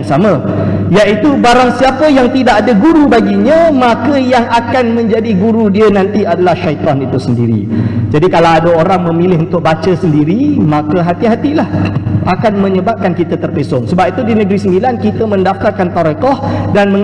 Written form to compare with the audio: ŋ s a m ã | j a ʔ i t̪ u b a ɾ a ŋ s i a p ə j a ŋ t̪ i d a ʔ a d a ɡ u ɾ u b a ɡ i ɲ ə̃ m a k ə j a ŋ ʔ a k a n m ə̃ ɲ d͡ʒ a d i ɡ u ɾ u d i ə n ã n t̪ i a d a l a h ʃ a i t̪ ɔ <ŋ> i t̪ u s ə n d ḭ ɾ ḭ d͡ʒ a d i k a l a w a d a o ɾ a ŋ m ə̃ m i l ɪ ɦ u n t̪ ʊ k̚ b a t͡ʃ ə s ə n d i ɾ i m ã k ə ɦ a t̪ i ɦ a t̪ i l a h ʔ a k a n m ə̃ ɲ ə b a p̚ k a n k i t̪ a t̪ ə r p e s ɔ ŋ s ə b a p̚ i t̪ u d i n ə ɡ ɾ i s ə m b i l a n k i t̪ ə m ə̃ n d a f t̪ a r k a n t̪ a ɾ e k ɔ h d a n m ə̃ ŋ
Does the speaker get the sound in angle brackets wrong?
yes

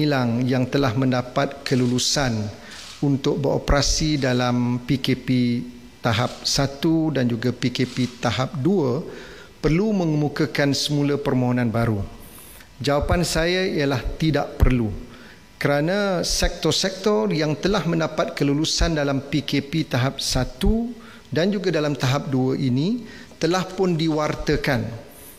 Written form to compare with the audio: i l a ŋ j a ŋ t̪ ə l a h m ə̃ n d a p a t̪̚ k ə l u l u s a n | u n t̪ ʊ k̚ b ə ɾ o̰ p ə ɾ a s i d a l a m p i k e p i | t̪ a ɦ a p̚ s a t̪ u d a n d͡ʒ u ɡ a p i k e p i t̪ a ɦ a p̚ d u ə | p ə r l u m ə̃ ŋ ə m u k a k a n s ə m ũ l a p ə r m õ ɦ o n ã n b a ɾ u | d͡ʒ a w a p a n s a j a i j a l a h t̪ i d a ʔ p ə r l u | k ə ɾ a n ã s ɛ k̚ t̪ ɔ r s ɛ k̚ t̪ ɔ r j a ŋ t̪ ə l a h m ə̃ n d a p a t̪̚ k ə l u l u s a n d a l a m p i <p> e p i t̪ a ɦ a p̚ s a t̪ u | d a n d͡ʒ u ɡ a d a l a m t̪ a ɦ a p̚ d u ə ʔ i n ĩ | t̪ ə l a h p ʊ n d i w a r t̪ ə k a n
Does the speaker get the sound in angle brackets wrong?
yes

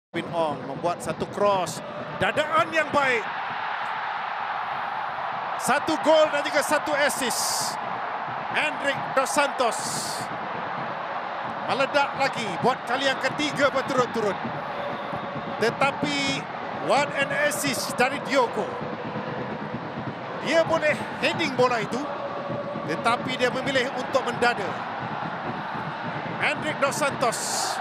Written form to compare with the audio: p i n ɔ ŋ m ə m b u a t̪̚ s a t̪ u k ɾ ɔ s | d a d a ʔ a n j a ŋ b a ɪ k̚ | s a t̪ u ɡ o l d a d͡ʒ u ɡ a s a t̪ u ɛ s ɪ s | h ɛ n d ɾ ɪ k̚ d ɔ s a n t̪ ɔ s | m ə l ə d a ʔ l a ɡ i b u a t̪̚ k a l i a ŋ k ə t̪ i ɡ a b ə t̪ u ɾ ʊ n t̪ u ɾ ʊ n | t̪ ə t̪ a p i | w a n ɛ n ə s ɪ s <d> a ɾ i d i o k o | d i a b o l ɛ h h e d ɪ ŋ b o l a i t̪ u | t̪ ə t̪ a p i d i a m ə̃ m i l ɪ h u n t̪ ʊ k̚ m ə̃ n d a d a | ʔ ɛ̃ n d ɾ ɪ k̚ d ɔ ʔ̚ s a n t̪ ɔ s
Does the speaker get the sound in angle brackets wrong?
no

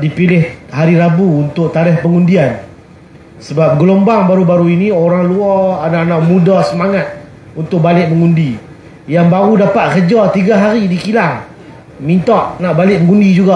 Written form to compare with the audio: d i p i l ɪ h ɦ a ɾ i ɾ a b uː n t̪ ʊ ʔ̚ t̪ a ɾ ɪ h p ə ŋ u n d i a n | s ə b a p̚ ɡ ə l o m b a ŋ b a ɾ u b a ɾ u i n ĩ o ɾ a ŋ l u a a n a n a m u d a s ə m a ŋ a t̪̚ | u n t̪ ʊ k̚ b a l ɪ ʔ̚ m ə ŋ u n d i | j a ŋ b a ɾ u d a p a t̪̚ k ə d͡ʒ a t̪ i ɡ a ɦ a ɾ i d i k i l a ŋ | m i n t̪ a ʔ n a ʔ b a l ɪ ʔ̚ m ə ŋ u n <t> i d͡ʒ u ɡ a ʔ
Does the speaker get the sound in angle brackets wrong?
yes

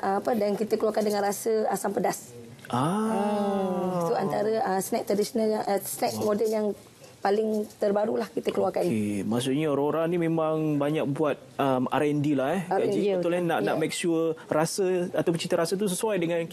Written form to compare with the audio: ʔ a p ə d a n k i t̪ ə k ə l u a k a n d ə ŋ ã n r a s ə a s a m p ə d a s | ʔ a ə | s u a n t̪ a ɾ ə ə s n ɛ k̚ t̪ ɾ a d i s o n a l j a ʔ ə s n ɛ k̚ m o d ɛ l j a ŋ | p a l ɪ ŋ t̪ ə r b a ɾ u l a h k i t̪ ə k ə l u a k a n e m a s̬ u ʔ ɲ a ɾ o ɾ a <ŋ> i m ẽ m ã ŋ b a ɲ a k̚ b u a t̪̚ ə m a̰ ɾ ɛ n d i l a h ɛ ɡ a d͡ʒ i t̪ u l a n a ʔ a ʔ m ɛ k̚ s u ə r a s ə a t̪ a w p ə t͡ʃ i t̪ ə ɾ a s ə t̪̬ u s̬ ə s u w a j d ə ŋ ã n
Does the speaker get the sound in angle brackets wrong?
yes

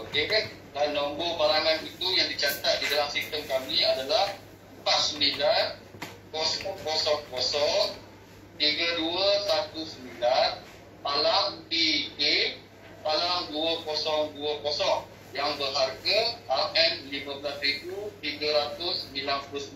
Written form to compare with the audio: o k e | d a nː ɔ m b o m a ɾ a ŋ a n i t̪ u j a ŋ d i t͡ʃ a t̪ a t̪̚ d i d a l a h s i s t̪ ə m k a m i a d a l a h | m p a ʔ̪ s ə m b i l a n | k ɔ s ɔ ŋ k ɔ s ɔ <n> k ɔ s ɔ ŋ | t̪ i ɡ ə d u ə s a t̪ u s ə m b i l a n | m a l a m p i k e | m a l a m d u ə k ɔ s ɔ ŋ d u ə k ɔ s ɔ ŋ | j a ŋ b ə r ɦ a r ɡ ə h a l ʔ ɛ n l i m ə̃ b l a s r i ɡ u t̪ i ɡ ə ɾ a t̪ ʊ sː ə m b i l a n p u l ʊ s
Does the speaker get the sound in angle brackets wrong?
yes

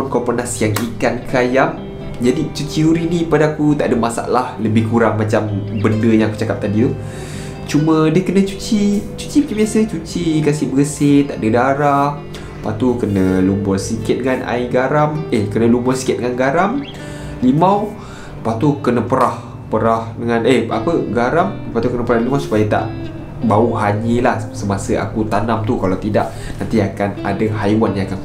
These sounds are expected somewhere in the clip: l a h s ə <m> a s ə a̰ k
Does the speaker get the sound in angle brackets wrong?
no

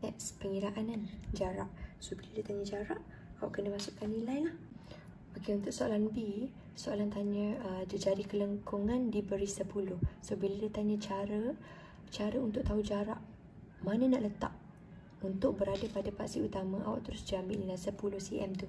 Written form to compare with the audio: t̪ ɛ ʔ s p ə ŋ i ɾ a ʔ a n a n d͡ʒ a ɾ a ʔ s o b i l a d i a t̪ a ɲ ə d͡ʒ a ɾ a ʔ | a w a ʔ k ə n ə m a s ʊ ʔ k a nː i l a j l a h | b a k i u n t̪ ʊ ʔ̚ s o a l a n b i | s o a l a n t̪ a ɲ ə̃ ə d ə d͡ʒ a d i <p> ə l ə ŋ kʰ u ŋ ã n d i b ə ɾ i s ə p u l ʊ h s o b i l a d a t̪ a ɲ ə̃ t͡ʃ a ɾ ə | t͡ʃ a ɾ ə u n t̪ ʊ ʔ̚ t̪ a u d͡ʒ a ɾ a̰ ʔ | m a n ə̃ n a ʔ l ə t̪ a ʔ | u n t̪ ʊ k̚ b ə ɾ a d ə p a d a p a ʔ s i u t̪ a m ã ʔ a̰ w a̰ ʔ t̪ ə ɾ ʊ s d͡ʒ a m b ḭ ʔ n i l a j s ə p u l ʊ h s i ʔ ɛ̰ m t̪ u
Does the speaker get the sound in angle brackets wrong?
yes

